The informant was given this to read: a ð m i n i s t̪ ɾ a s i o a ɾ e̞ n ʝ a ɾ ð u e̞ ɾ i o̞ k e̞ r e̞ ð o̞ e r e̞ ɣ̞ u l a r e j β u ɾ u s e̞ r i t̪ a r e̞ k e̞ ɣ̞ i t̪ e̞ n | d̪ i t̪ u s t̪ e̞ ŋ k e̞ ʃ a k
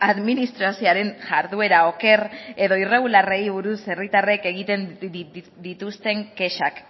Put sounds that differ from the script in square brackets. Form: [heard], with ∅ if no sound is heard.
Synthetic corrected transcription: a ð m i n i s t̪ ɾ a s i o a ɾ e̞ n ʝ a ɾ ð u e̞ ɾ [a] o̞ k e̞ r e̞ ð o̞ [i] r e̞ ɣ̞ u l a r e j β u ɾ u s e̞ r i t̪ a r e̞ k e̞ ɣ̞ i t̪ e̞ n | d̪ i t̪ u s t̪ e̞ ŋ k e̞ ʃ a k